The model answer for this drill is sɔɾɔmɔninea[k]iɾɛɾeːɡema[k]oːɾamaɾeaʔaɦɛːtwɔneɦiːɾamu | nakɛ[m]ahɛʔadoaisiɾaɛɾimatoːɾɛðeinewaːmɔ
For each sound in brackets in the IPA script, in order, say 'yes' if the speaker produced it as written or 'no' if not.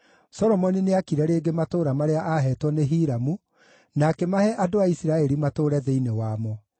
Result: yes, no, yes

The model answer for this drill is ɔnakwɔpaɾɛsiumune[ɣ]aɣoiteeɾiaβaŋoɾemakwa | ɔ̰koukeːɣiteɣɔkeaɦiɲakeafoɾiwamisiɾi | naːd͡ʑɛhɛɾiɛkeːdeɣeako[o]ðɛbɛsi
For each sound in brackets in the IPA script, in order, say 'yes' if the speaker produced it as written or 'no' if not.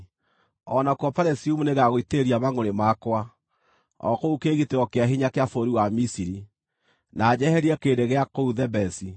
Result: yes, no

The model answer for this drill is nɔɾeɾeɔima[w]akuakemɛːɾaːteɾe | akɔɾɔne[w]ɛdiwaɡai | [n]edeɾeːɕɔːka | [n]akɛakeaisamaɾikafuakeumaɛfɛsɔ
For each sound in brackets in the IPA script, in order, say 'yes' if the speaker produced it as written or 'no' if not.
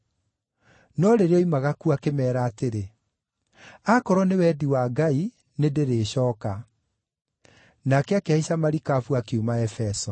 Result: no, yes, yes, yes

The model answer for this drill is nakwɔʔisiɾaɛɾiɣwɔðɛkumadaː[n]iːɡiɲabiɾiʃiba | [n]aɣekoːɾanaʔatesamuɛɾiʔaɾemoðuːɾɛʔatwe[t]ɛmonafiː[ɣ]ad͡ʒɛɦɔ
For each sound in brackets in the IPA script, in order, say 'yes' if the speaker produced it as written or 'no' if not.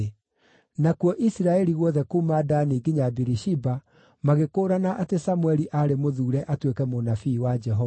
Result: yes, no, no, no

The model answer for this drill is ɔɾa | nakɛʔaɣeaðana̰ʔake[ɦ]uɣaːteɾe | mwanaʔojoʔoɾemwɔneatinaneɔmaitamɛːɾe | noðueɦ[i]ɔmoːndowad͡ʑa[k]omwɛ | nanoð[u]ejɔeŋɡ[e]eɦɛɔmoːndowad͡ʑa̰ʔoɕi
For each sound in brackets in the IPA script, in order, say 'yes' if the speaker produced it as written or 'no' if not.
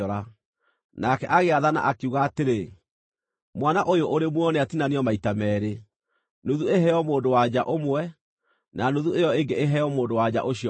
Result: no, no, no, yes, yes

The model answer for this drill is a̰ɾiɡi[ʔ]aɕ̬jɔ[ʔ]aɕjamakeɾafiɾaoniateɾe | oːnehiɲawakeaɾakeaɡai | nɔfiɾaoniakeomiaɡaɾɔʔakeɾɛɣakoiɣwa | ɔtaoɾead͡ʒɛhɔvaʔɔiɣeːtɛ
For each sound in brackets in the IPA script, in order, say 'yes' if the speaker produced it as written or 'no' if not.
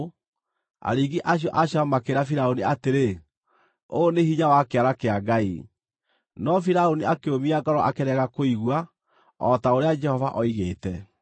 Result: yes, yes

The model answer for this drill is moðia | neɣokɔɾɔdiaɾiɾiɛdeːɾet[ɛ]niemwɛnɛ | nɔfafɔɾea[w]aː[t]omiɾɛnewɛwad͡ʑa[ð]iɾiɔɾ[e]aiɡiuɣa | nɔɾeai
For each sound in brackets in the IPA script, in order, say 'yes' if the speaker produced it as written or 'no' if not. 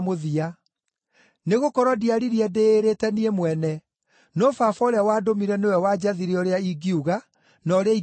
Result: yes, yes, no, yes, yes

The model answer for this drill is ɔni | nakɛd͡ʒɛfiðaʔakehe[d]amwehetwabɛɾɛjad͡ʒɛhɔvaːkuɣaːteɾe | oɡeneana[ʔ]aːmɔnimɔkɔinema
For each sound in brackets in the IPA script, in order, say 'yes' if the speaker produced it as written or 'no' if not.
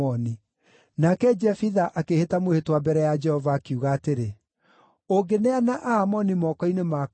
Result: no, yes

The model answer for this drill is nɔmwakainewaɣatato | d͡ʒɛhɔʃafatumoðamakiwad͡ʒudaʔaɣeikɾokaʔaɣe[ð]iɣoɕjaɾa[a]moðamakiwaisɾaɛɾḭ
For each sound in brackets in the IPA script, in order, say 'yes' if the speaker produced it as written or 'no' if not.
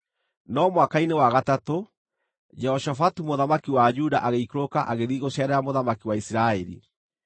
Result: yes, yes

